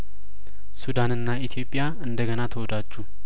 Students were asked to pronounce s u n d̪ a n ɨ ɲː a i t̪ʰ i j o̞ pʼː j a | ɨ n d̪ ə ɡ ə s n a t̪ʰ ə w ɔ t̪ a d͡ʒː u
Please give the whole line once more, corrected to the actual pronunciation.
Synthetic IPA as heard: s u d̪ a n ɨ nː a i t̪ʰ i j o̞ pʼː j a | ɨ n d̪ ə ɡ ə n a t̪ʰ ə w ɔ d̪ a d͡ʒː u